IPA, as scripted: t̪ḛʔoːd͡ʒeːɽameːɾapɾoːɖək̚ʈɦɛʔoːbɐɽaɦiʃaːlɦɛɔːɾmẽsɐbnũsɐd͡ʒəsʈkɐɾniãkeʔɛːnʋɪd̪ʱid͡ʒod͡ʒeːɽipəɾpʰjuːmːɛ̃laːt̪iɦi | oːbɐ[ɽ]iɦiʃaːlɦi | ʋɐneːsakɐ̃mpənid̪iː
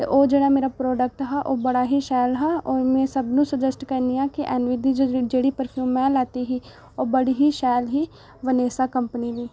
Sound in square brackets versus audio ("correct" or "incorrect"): correct